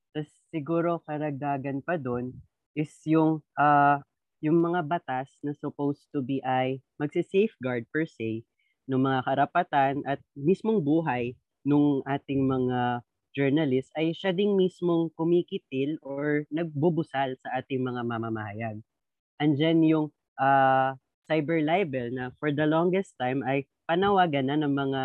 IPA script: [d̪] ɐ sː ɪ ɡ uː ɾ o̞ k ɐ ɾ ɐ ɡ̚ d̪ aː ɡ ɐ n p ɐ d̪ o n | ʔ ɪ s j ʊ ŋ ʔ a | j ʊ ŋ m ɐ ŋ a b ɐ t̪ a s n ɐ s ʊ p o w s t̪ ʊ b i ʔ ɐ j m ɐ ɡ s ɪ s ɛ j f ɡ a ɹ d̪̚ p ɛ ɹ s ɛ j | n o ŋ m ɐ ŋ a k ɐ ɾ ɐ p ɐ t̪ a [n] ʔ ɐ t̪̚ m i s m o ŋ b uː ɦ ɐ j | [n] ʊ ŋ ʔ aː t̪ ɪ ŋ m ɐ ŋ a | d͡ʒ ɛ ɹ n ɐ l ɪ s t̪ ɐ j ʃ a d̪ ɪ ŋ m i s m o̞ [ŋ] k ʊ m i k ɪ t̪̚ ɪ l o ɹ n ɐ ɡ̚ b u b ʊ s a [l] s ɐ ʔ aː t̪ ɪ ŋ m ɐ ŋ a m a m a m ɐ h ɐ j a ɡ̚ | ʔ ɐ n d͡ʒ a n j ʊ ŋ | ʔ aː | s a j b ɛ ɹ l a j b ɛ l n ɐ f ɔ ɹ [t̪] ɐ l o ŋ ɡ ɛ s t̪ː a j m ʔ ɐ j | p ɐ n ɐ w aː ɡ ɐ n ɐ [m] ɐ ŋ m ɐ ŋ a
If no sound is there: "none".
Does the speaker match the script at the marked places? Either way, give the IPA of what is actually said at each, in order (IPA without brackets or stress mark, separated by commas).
t̪, n, n, ŋ, l, d̪, n